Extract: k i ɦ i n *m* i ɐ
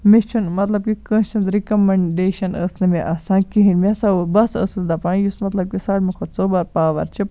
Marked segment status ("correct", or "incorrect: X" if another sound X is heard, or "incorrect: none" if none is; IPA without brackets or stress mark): correct